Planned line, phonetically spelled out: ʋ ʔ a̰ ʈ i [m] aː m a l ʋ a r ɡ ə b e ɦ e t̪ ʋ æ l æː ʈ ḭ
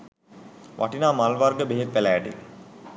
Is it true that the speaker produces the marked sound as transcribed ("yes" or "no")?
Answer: no